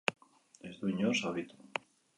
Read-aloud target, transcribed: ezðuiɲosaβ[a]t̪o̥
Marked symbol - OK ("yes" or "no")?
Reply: no